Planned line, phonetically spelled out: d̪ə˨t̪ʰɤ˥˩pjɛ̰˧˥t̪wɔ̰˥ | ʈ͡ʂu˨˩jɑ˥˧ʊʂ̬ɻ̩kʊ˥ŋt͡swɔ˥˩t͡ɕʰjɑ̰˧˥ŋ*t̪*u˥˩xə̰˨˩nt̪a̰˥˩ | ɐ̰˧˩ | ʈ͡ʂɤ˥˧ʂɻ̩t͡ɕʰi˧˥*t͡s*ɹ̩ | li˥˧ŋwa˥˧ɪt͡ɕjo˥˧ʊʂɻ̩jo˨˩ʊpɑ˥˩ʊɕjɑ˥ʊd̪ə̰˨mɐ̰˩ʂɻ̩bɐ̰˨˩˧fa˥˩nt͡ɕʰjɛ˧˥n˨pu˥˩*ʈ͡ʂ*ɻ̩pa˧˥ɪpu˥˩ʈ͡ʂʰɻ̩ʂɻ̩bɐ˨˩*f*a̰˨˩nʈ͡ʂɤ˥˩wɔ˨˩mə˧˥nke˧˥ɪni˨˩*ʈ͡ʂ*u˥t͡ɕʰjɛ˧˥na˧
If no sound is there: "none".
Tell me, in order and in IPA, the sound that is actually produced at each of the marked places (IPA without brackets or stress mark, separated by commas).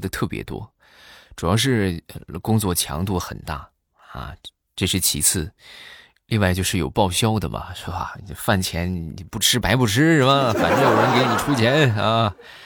t̪, t͡sʰ, ʈ͡ʂʰ, f, ʈ͡ʂʰ